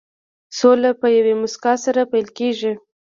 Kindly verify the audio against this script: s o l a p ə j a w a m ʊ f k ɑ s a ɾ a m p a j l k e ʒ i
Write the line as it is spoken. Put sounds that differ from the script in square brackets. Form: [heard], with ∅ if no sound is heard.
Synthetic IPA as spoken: s o l a p ə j a w [e] m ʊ [s] k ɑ s a ɾ a [∅] p a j l k e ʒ i